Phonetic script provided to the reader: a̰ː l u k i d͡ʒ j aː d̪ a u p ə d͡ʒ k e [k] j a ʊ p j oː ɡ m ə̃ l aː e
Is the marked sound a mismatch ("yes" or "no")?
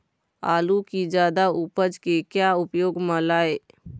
no